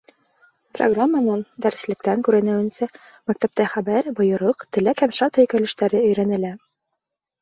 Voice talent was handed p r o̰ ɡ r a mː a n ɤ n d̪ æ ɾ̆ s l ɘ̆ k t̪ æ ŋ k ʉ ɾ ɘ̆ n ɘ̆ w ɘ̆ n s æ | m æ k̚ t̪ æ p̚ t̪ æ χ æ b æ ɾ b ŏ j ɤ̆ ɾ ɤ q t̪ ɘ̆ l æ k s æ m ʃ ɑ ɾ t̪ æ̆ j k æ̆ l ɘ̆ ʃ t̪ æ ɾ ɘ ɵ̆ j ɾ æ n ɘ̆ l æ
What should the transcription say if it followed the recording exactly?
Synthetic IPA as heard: p r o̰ ɡ r a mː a n ɤ n d̪ æ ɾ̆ s l ɘ̆ k t̪ æ ŋ k ʉ ɾ ɘ̆ n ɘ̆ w ɘ̆ n s æ | m æ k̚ t̪ æ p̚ t̪ æ χ æ b æ ɾ b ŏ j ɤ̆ ɾ ɤ q t̪ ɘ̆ l æ k h æ m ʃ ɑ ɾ t̪ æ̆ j k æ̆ l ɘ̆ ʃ t̪ æ ɾ ɘ ɵ̆ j ɾ æ n ɘ̆ l æ